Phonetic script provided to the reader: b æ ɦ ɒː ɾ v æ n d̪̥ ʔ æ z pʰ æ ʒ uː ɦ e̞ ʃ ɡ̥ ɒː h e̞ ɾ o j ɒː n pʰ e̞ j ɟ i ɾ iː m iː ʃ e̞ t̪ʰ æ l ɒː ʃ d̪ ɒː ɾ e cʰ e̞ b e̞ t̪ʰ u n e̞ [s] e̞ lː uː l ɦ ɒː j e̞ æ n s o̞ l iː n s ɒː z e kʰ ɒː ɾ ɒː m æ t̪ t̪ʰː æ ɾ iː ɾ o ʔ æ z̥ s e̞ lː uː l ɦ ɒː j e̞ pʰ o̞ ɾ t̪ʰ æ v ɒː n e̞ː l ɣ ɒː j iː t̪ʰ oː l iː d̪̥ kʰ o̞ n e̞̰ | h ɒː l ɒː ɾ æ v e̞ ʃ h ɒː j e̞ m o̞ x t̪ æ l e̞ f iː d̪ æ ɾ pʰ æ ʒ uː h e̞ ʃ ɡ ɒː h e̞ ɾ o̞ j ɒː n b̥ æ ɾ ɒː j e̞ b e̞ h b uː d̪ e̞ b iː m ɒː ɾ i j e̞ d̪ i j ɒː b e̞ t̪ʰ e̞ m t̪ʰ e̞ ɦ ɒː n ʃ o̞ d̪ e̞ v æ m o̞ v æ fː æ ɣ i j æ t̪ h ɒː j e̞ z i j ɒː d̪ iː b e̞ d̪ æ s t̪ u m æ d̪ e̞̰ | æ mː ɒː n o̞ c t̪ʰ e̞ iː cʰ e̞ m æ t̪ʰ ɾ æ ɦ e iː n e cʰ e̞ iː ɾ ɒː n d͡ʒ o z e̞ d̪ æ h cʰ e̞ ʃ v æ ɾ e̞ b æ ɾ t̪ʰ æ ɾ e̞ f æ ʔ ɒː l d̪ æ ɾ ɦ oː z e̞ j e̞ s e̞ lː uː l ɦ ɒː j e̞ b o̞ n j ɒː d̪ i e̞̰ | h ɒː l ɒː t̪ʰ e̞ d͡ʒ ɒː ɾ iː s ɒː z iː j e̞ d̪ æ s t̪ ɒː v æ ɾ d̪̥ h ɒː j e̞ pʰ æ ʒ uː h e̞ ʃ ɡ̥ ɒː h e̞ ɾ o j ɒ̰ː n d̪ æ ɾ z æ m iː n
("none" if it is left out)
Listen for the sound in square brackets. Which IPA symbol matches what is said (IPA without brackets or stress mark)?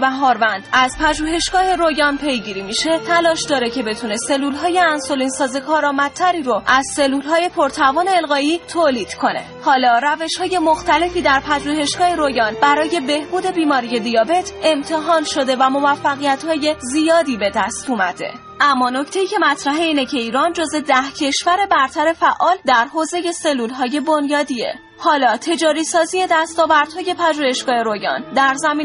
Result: s